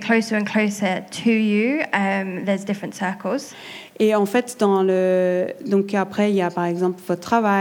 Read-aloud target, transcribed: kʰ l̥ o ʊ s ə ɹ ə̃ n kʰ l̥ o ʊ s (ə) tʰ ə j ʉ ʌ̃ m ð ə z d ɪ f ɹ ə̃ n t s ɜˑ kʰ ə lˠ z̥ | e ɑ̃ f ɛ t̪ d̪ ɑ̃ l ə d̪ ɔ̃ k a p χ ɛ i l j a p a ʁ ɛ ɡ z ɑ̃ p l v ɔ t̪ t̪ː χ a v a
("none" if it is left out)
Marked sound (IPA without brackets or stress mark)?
ə